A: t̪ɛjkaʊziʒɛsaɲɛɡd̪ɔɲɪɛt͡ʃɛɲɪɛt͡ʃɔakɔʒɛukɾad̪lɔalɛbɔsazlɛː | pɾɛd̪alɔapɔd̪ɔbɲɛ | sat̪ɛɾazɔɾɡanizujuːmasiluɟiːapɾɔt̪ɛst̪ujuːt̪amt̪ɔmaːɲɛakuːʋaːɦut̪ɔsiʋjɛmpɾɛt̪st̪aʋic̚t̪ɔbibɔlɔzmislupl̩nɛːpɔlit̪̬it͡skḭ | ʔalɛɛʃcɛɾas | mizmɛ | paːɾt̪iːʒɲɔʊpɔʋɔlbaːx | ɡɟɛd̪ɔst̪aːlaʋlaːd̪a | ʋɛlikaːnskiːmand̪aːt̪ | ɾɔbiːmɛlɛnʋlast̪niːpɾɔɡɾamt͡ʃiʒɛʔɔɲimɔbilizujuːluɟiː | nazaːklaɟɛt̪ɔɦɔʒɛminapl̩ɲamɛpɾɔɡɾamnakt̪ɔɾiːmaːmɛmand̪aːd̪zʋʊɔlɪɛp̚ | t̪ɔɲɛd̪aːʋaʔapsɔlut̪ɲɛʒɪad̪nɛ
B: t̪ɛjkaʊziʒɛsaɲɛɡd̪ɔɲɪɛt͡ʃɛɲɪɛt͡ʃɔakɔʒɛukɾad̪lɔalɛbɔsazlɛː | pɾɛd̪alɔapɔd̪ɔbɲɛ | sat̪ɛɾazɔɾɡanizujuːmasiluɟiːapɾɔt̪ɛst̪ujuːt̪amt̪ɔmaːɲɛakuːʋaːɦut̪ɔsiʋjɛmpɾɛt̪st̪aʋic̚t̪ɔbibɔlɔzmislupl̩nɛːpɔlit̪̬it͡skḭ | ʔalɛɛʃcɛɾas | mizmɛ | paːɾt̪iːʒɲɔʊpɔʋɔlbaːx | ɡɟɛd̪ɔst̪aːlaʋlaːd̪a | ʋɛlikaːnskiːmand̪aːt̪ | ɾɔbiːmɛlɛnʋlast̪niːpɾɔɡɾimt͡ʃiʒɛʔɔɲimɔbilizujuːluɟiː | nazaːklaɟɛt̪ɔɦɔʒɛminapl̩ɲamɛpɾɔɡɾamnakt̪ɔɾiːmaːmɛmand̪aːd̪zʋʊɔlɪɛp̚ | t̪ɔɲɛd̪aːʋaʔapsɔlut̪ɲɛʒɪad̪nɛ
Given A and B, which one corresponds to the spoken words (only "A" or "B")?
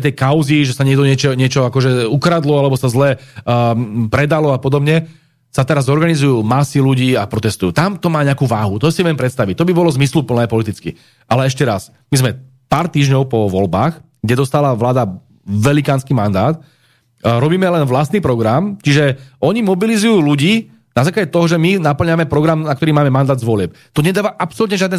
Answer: A